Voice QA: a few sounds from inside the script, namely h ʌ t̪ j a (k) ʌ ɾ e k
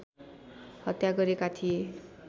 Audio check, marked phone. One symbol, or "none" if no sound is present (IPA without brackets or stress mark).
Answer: ɡ